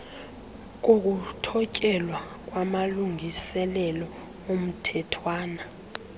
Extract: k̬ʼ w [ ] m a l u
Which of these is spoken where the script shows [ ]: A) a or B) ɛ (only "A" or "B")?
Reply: A